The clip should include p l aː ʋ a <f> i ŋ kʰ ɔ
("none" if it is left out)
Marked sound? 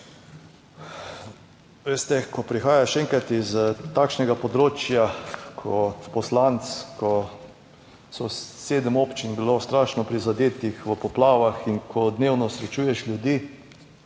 x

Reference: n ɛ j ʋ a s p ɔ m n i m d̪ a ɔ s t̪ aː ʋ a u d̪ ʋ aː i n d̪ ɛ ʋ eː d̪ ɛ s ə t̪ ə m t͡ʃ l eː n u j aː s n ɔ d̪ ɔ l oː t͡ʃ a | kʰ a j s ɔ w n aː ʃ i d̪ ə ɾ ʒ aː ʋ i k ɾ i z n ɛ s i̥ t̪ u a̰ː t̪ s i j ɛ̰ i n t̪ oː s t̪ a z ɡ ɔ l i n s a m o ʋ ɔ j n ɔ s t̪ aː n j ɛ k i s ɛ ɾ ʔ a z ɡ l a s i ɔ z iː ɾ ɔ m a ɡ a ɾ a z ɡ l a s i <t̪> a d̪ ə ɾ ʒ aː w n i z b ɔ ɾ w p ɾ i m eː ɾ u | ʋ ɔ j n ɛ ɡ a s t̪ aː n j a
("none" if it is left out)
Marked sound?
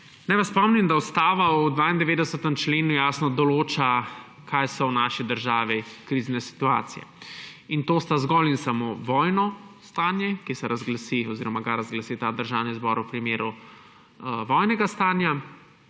t̪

